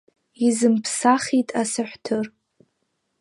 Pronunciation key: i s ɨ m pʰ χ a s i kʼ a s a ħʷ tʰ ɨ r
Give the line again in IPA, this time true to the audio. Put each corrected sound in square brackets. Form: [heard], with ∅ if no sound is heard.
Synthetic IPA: i [z] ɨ m pʰ [s] a [χ] i [tʼ] a s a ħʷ tʰ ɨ r